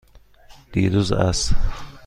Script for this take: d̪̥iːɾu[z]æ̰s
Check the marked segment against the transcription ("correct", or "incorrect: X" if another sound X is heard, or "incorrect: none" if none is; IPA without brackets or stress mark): correct